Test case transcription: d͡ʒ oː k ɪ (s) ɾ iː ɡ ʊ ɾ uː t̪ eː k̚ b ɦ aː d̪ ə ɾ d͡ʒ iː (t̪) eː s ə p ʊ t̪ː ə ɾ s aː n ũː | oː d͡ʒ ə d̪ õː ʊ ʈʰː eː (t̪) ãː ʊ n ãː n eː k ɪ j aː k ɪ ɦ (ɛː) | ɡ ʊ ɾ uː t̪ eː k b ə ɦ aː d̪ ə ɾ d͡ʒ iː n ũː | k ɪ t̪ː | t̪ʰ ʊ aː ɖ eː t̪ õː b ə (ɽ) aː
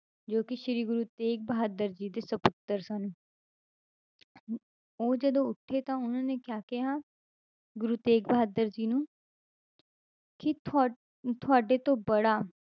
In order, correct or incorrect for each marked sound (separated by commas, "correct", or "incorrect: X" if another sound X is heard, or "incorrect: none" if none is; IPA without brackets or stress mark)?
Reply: incorrect: ʃ, incorrect: d̪, correct, incorrect: aː, correct